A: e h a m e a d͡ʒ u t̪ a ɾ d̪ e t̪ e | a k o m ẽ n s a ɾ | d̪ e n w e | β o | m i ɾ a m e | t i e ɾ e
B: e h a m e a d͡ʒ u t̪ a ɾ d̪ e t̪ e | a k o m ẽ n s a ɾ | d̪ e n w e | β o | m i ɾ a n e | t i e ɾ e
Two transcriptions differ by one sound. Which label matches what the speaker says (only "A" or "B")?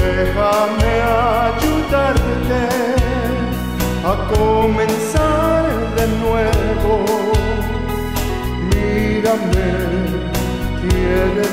A